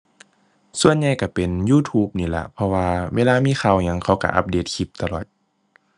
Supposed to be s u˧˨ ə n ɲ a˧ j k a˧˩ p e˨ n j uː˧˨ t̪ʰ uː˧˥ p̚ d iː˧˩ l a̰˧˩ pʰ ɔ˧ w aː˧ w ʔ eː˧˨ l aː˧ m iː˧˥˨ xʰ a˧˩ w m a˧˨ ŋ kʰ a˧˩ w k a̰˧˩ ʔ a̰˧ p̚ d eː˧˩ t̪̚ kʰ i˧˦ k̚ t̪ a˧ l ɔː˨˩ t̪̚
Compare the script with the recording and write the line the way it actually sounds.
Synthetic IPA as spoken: s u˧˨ ə n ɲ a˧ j k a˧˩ p e˨ n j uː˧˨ t̪ʰ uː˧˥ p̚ n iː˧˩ l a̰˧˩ pʰ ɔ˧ w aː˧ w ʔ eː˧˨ l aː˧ m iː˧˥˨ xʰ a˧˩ w ɲ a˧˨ ŋ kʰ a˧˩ w k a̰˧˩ ʔ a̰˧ p̚ d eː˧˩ t̪̚ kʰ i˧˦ p̚ t̪ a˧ l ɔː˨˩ t̪̚